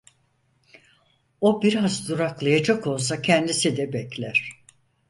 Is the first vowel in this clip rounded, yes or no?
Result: yes